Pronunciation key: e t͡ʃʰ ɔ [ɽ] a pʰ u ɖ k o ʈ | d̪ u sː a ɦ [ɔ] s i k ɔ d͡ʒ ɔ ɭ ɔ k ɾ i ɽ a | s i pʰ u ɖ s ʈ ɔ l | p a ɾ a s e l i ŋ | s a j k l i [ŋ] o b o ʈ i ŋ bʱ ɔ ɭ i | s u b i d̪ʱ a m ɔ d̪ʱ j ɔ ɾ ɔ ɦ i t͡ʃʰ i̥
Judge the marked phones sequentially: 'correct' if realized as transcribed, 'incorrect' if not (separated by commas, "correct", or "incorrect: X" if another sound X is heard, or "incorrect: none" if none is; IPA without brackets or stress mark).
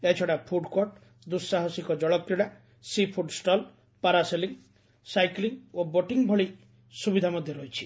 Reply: correct, correct, correct